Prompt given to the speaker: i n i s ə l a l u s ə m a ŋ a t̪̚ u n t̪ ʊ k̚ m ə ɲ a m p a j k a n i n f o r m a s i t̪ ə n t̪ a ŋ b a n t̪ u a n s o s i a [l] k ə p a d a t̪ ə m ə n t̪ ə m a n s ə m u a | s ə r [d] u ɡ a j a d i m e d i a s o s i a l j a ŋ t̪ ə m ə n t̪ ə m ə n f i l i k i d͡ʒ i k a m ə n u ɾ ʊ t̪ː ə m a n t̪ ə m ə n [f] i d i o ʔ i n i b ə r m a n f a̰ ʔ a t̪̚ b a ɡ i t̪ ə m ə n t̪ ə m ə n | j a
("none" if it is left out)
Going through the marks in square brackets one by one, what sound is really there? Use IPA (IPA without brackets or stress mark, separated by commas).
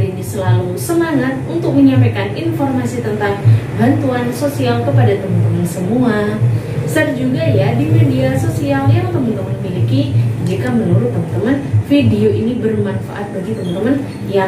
l, d͡ʒ, f